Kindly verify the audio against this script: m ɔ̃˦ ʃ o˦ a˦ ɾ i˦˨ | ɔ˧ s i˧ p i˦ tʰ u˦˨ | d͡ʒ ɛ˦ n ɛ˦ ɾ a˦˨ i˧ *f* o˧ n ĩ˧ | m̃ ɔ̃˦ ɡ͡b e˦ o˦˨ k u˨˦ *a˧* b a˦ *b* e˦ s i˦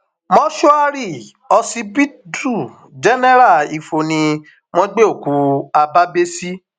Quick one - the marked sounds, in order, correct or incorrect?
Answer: correct, correct, correct

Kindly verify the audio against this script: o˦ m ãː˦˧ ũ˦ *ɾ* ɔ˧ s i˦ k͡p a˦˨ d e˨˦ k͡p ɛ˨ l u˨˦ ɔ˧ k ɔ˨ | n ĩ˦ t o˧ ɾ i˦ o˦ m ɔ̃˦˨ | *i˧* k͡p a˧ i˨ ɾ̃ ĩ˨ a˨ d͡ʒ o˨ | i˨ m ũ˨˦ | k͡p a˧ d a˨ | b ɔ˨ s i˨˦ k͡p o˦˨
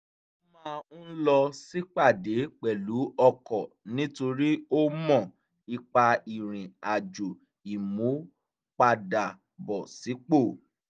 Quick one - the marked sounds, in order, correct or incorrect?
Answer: incorrect, correct

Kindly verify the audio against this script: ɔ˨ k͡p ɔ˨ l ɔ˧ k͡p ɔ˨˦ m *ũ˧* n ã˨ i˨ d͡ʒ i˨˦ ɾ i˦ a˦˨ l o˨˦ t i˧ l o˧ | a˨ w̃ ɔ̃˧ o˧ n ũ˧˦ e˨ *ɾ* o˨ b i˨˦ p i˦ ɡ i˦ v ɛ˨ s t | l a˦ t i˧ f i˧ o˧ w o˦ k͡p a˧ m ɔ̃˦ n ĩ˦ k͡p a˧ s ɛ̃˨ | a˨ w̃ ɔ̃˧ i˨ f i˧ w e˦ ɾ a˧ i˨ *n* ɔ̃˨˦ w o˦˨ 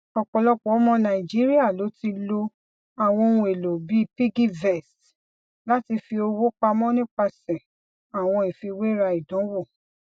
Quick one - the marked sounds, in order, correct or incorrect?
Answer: incorrect, incorrect, incorrect

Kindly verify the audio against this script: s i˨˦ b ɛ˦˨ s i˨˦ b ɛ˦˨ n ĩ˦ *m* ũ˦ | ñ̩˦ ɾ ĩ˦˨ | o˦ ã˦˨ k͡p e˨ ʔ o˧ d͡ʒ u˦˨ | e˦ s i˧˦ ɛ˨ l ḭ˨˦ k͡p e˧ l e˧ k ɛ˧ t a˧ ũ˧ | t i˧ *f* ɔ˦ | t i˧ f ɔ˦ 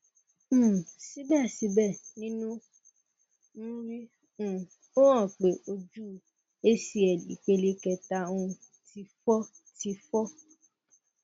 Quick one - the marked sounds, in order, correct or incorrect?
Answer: incorrect, correct

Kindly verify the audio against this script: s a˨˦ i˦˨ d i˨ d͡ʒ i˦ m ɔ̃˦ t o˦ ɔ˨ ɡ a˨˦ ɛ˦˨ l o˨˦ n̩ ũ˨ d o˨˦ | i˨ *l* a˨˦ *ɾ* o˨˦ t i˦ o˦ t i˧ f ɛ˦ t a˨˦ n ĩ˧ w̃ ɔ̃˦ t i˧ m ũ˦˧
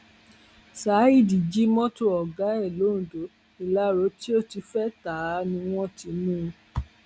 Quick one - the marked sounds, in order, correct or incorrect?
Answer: correct, correct

